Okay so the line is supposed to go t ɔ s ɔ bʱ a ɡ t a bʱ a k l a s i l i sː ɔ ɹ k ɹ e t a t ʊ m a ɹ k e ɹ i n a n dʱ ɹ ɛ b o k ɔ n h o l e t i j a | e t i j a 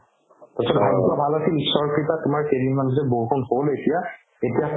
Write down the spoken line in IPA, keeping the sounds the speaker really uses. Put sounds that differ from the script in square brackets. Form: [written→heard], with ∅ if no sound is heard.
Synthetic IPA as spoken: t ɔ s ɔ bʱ a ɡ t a bʱ a [k→∅] l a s i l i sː ɔ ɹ k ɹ [e→i] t a t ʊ m a ɹ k e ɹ i [n→m] a n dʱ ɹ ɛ b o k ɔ n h o l e t i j a | e t i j a